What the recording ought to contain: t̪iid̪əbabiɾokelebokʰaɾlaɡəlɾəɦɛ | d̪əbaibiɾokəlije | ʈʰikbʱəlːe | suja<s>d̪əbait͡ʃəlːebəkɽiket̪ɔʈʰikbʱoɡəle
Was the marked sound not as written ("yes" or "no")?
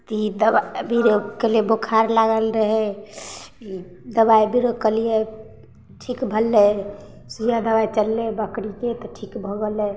yes